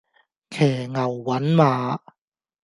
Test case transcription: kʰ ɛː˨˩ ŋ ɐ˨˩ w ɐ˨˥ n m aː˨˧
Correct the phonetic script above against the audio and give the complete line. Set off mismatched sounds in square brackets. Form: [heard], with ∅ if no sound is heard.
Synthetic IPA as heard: kʰ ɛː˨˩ ŋ ɐ˨˩ [wː] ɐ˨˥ n m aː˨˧